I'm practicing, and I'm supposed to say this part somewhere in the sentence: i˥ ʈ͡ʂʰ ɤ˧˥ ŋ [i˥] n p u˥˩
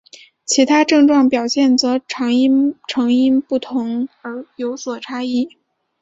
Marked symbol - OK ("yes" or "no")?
yes